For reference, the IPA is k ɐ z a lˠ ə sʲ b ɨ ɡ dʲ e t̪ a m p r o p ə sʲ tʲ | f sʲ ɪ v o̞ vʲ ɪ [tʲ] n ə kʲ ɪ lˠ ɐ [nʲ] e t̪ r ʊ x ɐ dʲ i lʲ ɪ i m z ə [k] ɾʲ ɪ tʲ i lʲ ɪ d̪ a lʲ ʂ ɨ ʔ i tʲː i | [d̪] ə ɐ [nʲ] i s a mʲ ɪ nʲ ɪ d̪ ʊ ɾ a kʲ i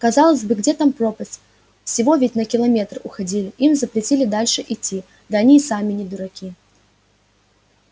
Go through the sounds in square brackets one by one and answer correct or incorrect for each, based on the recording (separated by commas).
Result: correct, incorrect, incorrect, correct, correct